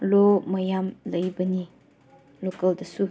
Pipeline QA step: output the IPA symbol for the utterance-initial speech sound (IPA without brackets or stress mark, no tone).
l